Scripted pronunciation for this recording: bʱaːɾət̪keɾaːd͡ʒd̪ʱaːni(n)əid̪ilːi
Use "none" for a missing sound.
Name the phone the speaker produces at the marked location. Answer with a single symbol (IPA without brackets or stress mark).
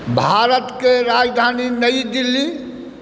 n